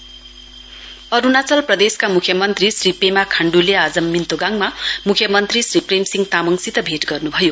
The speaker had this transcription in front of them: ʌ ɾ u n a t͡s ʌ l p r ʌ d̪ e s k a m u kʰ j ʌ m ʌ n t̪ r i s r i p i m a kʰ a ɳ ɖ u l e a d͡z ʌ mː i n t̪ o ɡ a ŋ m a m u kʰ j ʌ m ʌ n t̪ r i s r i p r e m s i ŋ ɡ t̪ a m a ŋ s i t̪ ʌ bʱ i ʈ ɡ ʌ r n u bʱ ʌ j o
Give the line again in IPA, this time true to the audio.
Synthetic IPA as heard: ʌ ɾ u n a t͡s ʌ l p r ʌ d̪ e s k a m u kʰ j ʌ m ʌ n t̪ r i s r i p e m a kʰ a ɳ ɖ u l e a d͡z ʌ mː i n t̪ o ɡ a ŋ m a m u kʰ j ʌ m ʌ n t̪ r i s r i p r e m s i ŋ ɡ t̪ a m ʌ ŋ s i t̪ ʌ bʱ e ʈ ɡ ʌ r n u bʱ ʌ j o

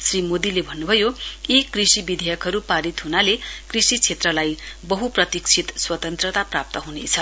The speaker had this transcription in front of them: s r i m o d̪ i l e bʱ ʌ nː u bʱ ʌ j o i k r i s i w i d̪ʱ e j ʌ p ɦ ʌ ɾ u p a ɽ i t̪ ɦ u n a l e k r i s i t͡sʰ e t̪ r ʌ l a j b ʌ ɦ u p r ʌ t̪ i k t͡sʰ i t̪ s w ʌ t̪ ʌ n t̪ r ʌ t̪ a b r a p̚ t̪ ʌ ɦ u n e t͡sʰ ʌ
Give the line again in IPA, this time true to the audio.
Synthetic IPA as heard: s r i m o d̪ i l e bʱ ʌ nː u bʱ ʌ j o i k r i s i b i d̪ʱ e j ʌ k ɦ ʌ ɾ u p a ɾ i t̪ ɦ u n a l e k r i s i t͡sʰ e t̪ r ʌ l a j b ʌ ɦ u p r ʌ t̪ i k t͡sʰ i t̪ s w ʌ t̪ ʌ n t̪ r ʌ t̪ a p r a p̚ t̪ ʌ ɦ u n e t͡sʰ ʌ

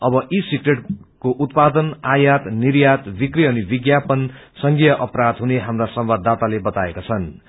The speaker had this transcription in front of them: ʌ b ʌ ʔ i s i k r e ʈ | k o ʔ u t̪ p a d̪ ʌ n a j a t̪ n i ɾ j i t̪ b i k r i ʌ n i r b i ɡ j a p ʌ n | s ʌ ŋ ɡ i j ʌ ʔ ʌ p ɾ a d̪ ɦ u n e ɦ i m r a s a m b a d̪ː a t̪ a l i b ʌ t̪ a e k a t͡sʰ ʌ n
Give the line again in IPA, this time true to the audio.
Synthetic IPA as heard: ʌ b ʌ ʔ i s i k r e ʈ | k o ʔ u t̪ p a d̪ ʌ n a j a t̪ n i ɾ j a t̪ b i k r i ʌ n i b i ɡ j a p ʌ n | s ʌ ŋ ɡ i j ʌ ʔ ʌ p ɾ a d̪ ɦ u n e ɦ a m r a s ʌ m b a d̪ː a t̪ a l e b ʌ t̪ a e k a t͡sʰ ʌ n

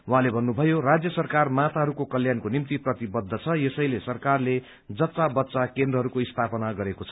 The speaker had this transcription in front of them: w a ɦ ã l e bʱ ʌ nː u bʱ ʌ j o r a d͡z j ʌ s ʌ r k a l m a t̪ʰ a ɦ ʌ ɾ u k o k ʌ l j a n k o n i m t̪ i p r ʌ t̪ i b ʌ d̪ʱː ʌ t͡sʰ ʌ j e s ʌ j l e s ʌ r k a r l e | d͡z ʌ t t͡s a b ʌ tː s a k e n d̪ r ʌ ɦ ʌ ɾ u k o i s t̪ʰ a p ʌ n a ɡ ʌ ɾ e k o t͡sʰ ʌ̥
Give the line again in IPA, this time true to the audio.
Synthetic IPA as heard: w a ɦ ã l e bʱ ʌ nː u bʱ ʌ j o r a d͡z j ʌ s ʌ r k a r m a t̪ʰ a ɦ ʌ ɾ u k o k ʌ l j a n k o n i m t̪ i p r ʌ t̪ i b ʌ d̪ʱː ʌ t͡sʰ ʌ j e s ʌ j l e s ʌ r k a r l e | d͡z ʌ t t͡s a b ʌ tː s a k e n d̪ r ʌ ɦ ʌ ɾ u k o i s t̪ʰ a p ʌ n a ɡ ʌ ɾ e k o t͡sʰ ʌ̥

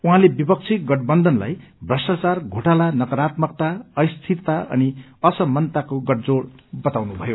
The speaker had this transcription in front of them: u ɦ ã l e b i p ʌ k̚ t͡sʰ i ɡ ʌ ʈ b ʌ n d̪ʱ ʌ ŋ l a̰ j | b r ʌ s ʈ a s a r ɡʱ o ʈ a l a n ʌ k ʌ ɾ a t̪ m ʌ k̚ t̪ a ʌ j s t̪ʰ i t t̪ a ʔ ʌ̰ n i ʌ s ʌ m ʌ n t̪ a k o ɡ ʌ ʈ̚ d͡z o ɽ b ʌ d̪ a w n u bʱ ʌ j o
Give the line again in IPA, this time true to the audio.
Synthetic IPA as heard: u ɦ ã l e b i p ʌ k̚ t͡sʰ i ɡ ʌ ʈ b ʌ n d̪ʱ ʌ n l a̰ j | b r ʌ s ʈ a t͡s a r ɡʱ o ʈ a l a n ʌ k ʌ ɾ a t̪ m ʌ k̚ t̪ a ʌ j s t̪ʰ i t t̪ a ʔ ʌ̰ n i ʌ s ʌ m ʌ n t̪ a k o ɡ ʌ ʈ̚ d͡z o ɽ b ʌ t̪ a w n u bʱ ʌ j o

